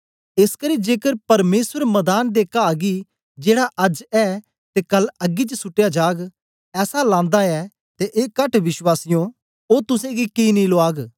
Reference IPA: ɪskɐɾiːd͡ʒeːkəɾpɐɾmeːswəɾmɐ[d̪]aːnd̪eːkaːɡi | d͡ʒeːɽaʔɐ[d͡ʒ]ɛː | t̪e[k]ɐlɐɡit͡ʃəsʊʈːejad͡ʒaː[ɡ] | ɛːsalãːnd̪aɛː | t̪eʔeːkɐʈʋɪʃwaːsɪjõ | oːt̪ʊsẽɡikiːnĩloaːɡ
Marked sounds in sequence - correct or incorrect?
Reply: correct, correct, correct, correct

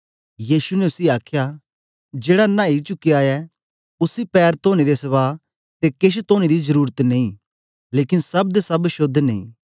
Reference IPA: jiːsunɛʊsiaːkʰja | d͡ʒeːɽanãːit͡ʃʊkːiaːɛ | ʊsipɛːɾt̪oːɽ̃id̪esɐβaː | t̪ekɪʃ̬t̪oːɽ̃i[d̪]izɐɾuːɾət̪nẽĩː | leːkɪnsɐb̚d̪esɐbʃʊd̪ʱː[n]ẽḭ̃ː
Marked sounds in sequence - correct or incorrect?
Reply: correct, correct

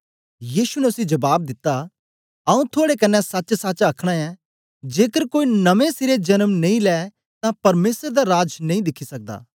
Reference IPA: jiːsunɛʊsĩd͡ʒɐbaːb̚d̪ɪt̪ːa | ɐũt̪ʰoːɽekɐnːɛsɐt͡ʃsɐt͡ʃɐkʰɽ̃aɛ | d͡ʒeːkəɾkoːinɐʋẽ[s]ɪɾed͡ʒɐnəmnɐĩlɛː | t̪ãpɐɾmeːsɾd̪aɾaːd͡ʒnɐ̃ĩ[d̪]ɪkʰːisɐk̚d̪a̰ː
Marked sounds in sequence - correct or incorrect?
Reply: correct, correct

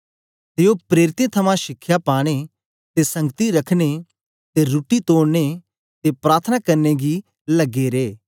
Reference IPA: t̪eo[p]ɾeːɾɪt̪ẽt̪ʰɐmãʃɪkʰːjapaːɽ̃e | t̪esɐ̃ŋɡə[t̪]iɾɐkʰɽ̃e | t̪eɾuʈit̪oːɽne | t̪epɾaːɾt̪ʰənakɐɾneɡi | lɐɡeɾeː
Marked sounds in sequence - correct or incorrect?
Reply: correct, correct

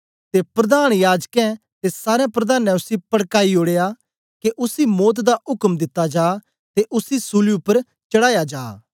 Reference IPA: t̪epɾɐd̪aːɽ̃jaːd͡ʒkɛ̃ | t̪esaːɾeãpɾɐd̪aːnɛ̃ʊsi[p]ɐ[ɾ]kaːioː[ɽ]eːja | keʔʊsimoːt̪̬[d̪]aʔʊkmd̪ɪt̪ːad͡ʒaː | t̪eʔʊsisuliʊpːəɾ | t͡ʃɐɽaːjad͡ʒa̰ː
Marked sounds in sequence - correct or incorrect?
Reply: correct, incorrect: ɽ, correct, correct

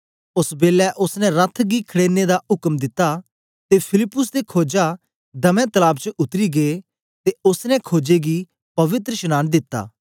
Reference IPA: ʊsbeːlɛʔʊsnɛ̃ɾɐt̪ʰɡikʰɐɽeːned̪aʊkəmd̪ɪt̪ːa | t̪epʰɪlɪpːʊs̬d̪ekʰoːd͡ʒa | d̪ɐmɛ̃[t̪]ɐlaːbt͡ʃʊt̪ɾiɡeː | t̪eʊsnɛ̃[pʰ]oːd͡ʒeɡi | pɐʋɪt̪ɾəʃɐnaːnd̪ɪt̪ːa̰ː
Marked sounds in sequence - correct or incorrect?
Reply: correct, incorrect: kʰ

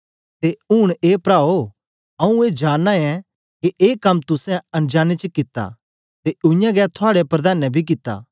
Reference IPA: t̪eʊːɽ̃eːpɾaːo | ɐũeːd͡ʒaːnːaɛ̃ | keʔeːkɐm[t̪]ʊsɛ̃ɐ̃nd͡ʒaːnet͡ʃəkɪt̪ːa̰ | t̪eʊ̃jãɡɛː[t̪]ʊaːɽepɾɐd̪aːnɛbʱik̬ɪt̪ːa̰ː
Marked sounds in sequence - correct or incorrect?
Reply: correct, incorrect: t̪ʰ

